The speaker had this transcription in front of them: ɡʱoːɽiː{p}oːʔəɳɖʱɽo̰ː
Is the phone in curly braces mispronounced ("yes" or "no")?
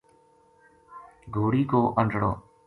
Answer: yes